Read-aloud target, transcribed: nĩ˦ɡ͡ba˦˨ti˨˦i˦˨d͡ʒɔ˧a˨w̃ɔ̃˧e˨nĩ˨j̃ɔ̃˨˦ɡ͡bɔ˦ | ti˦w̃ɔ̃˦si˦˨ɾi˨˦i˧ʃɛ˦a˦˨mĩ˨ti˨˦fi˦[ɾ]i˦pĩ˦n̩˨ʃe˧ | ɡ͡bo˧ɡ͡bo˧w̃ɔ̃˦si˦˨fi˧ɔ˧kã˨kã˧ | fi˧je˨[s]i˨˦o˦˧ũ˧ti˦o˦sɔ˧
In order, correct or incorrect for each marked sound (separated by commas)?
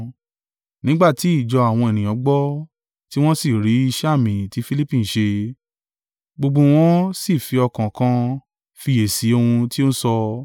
incorrect, correct